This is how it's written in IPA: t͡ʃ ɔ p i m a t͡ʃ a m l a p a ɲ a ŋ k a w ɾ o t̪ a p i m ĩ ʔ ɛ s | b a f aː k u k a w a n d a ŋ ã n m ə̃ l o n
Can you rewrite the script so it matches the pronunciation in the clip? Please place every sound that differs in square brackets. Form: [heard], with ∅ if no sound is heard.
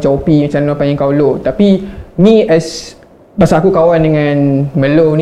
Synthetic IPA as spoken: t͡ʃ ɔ p i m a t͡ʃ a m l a p a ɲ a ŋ k a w [l] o t̪ a p i m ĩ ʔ ɛ s | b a [s] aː k u k a w a n d [ə] ŋ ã n m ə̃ l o n